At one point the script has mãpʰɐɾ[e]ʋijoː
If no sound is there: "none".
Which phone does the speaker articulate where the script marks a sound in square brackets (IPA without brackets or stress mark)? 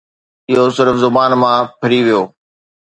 i